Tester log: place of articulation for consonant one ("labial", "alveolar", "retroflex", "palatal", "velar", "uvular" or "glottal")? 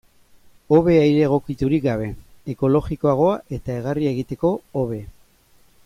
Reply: labial